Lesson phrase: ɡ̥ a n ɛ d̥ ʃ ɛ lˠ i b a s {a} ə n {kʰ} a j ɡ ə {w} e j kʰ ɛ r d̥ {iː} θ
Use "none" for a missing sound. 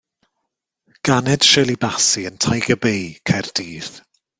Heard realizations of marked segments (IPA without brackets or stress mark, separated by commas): i, tʰ, b, iː